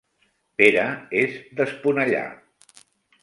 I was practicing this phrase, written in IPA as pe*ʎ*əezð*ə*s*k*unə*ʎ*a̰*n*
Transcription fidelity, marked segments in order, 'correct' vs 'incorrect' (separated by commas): incorrect, correct, incorrect, correct, incorrect